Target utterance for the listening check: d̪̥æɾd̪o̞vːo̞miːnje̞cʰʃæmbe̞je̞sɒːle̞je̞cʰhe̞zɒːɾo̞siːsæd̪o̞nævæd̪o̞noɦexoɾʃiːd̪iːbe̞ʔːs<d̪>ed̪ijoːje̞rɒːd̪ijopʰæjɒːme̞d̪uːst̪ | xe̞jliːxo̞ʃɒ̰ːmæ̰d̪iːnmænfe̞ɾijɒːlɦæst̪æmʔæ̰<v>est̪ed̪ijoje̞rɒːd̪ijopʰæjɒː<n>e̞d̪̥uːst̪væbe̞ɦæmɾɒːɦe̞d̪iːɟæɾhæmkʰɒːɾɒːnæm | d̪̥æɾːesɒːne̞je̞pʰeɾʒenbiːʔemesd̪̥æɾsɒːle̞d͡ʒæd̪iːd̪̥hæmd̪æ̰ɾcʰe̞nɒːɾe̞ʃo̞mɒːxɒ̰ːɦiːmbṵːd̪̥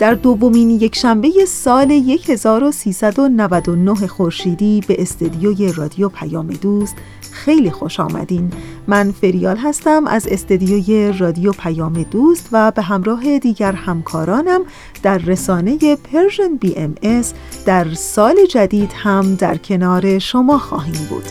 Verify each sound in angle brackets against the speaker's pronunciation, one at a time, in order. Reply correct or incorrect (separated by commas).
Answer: incorrect, incorrect, incorrect